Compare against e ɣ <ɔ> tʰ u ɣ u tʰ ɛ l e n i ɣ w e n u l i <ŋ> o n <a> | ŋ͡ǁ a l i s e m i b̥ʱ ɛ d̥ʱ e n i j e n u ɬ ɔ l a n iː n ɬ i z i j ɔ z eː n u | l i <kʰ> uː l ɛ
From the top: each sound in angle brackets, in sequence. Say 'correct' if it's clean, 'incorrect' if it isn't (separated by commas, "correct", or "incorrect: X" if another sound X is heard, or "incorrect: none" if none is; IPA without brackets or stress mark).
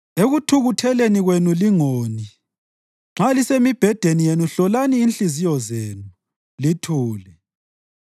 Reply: incorrect: u, correct, incorrect: i, incorrect: tʰ